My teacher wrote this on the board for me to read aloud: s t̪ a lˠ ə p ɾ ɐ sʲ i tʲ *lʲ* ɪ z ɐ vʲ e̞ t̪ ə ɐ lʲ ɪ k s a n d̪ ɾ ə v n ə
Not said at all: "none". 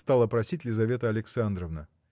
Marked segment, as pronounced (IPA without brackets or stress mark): lʲ